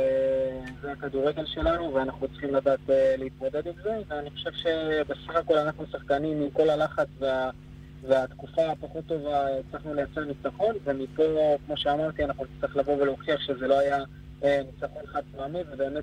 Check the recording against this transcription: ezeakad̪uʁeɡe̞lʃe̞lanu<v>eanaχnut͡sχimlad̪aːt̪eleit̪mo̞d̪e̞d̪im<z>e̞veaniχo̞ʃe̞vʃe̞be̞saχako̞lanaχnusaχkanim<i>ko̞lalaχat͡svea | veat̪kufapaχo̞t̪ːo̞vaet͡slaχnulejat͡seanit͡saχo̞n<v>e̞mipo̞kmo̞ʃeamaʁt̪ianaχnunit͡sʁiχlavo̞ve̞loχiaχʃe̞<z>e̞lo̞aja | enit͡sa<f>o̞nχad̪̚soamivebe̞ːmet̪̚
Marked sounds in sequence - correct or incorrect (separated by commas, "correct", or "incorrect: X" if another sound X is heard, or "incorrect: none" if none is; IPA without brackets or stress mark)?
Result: correct, correct, correct, correct, correct, incorrect: χ